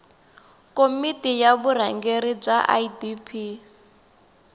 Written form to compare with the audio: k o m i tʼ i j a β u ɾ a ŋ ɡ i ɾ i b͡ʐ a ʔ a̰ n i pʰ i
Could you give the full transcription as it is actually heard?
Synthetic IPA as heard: k o m i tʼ i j a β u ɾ a ŋ ɡ e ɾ i b͡ʐ a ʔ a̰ d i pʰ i